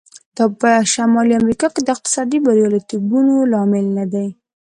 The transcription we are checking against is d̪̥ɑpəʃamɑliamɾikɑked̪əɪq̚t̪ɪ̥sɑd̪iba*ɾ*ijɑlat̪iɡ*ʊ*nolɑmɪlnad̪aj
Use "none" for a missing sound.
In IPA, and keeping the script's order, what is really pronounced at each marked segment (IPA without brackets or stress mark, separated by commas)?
ɾ, u